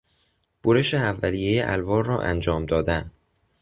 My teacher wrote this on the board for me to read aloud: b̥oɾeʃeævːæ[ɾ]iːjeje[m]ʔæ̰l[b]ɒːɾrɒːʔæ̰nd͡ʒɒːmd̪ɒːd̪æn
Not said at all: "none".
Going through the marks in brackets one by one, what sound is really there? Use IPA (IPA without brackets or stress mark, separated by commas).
l, none, v